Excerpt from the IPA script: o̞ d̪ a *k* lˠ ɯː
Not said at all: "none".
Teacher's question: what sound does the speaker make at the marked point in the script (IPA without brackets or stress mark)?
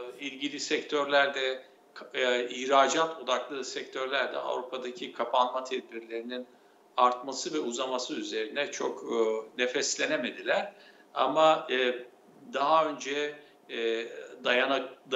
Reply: k